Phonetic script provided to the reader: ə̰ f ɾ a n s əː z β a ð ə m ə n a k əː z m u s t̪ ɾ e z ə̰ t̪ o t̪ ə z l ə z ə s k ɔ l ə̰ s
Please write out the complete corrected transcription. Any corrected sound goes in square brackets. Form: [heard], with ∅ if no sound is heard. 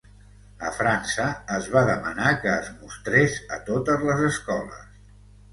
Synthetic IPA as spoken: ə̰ f ɾ a n s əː z β a ð ə m ə n a k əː z m u s t̪ ɾ e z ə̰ t̪ o t̪ ə z l ə z ə s k ɔ l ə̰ s

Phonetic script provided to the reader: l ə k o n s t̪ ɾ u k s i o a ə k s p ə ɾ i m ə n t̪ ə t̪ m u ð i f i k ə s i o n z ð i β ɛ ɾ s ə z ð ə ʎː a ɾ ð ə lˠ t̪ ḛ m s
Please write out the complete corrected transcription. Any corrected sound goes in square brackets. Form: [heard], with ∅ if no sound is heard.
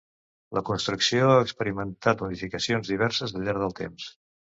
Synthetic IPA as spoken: l ə k [u] n s t̪ ɾ u k s i o a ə k s p ə ɾ i m ə n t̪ [a] t̪ m u ð i f i k ə s i o n z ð i β ɛ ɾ s ə z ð ə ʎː a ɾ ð ə lˠ t̪ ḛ m s

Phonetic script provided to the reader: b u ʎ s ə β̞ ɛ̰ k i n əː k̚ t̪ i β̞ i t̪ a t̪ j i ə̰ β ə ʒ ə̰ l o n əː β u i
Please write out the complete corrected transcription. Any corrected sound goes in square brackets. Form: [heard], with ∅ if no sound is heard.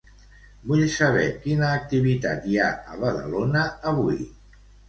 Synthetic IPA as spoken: b u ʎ s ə β̞ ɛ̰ k i n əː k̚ t̪ i β̞ i t̪ a t̪ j [a] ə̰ β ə [ð] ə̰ l o n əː β u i

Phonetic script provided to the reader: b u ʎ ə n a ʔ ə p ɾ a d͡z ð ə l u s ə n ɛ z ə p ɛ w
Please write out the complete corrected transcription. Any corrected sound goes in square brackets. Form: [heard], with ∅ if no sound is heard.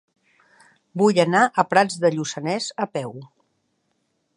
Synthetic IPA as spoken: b u [j] ə n a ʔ ə p ɾ a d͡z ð ə [ʎ] u s ə n ɛ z ə p ɛ w

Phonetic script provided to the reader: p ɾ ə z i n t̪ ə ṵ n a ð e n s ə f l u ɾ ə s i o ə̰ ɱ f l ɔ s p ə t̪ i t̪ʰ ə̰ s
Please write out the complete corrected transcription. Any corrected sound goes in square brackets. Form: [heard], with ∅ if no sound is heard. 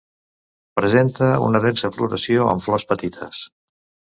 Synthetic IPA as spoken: p ɾ ə z [e] n t̪ ə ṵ n [ə] ð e n s ə f l u ɾ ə s i o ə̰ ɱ f l ɔ s p ə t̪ i t̪ʰ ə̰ s

